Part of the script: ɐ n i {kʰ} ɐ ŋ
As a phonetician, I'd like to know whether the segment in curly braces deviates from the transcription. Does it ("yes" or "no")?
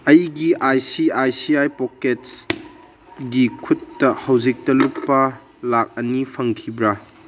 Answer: yes